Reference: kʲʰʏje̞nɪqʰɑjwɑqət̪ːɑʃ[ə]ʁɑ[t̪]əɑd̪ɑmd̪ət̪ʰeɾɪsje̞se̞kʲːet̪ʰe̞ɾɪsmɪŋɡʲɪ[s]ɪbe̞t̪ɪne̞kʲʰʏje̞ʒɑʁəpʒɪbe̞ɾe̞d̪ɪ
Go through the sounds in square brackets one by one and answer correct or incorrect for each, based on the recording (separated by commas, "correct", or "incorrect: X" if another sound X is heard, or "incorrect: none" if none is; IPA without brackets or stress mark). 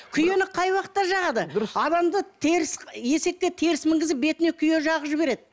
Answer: incorrect: ɑ, incorrect: d̪, incorrect: z